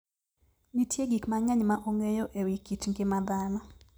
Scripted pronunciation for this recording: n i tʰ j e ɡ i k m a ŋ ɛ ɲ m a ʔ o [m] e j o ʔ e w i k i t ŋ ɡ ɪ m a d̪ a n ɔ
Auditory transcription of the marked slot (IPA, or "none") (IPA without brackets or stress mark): ŋ